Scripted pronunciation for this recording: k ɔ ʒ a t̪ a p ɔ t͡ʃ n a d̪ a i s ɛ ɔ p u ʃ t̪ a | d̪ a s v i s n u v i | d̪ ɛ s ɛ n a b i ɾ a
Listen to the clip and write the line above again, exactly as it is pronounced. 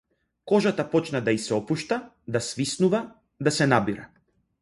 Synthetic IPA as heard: k ɔ ʒ a t̪ a p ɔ t͡ʃ n a d̪ a i s ɛ ɔ p u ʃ t̪ a | d̪ a s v i s n u v a | d̪ a s ɛ n a b i ɾ a